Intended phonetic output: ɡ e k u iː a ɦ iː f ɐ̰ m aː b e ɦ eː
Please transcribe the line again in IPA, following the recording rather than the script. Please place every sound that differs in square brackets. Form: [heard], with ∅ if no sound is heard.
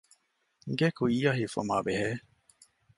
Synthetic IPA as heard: ɡ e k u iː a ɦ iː f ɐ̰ m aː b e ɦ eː